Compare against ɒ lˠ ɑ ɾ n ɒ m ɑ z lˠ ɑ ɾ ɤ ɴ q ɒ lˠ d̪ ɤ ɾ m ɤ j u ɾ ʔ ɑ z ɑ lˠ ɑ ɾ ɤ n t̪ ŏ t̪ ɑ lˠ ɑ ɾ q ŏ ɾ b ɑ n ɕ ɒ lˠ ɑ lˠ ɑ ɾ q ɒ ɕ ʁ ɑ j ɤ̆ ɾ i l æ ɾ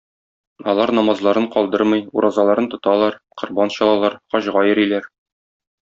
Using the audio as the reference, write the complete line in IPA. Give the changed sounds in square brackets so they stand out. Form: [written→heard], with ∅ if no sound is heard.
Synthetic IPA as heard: ɒ lˠ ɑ ɾ n ɒ m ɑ z lˠ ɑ ɾ ɤ ɴ q ɒ lˠ d̪ ɤ ɾ m ɤ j u ɾ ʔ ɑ z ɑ lˠ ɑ ɾ ɤ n t̪ ŏ t̪ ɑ lˠ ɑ ɾ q ŏ ɾ b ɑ n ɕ ɒ lˠ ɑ lˠ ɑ ɾ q ɒ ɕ ʁ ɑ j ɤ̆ ɾ i l æ ɾ